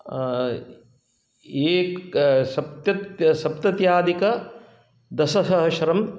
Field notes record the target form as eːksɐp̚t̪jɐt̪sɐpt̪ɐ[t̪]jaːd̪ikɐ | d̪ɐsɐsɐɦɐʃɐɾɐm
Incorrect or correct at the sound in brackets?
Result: correct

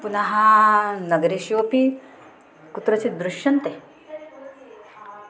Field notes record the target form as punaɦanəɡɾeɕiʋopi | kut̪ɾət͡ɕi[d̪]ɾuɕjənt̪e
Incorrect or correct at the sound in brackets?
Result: correct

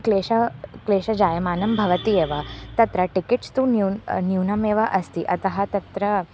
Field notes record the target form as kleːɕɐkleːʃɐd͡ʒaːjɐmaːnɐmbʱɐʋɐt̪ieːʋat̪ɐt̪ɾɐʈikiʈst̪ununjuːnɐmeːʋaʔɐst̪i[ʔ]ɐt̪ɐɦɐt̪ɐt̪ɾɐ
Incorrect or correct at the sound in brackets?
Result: correct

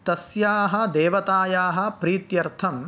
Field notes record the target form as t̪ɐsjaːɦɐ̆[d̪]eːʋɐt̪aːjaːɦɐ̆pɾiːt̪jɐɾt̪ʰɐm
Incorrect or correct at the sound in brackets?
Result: correct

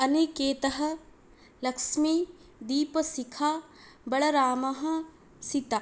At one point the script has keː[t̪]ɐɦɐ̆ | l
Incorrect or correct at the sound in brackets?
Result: correct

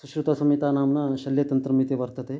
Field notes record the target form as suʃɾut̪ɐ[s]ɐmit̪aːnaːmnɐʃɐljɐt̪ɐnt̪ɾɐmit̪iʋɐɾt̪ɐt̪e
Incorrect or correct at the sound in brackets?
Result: correct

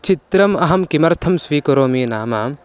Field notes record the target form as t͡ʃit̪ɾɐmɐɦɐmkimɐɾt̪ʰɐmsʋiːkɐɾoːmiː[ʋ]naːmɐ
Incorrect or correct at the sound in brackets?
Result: incorrect: none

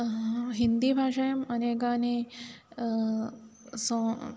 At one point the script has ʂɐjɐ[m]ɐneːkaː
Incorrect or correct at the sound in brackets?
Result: correct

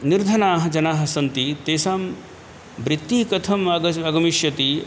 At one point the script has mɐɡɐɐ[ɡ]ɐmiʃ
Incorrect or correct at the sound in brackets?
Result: correct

